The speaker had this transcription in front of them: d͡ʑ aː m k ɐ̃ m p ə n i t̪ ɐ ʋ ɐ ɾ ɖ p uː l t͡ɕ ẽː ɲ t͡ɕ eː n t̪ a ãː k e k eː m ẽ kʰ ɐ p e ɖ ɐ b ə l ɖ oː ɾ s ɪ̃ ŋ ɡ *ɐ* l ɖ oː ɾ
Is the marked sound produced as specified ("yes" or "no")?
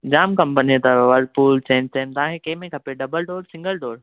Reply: no